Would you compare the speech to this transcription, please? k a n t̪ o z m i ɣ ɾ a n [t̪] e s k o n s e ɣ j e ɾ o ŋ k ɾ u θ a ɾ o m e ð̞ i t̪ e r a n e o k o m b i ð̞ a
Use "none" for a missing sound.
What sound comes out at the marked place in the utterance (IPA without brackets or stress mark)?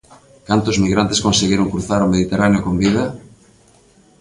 t̪